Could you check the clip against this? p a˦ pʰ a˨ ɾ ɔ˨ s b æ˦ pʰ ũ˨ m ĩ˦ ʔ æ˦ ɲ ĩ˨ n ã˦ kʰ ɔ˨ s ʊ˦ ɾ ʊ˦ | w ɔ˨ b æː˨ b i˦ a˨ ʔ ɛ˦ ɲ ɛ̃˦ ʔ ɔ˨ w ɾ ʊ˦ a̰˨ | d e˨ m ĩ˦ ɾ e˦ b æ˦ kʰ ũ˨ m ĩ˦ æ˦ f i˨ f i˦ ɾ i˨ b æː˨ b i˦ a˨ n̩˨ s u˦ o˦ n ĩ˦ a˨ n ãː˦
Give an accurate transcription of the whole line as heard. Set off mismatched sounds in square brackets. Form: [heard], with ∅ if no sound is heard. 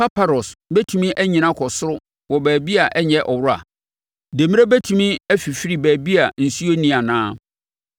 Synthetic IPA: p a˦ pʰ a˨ ɾ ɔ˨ s b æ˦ [tʰ] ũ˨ m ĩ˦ ʔ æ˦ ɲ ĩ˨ n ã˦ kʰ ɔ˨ s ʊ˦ ɾ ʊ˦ | w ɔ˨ b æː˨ b i˦ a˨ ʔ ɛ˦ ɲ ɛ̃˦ ʔ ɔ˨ w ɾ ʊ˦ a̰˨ | d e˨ m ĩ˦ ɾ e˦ b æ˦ [tʰ] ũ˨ m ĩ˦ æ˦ f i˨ f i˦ ɾ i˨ b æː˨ b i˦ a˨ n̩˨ s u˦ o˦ n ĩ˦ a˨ n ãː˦